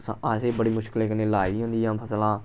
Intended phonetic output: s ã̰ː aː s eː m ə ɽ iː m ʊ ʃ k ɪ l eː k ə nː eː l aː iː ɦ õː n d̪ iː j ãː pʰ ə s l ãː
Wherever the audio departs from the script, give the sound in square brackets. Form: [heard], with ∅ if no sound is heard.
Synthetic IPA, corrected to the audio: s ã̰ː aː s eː [b] ə ɽ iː m ʊ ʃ k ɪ l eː k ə [n] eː l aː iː ɦ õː n d̪ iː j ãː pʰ ə s l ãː